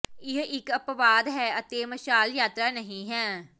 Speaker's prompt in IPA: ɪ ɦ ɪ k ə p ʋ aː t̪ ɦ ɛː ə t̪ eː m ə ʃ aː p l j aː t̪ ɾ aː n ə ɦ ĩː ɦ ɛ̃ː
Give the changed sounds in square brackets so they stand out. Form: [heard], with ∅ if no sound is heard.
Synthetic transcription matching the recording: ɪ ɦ ɪ k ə p ʋ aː [d̪] ɦ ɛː ə t̪ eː m ə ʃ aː [∅] l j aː t̪ ɾ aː n ə ɦ ĩː ɦ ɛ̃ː